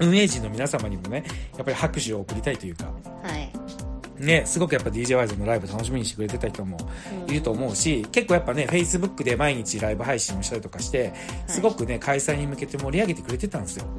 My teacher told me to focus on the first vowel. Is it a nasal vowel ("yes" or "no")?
yes